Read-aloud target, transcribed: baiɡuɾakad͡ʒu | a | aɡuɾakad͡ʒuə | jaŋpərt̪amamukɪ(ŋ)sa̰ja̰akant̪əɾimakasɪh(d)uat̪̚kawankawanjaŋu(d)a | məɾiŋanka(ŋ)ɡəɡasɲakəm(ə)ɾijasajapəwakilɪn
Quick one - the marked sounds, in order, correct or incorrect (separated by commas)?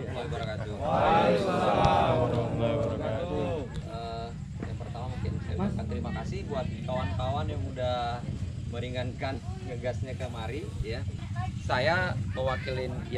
incorrect, incorrect, correct, incorrect, incorrect